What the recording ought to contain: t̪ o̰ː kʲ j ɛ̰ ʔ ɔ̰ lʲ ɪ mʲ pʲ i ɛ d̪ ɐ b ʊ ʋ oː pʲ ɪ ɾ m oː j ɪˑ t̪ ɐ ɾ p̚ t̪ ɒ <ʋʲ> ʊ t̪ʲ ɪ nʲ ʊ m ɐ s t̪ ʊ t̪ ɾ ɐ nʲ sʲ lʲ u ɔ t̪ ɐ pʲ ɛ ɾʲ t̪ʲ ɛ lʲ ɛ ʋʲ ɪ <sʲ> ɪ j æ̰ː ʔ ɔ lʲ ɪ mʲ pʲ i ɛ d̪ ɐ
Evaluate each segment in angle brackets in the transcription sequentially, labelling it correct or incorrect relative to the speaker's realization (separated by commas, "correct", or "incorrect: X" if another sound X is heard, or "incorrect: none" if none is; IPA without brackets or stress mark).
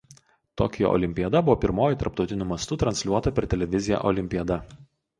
incorrect: none, incorrect: zʲ